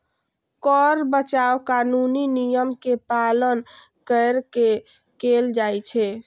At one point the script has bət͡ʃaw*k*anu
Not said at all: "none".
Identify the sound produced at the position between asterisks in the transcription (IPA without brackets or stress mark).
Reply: k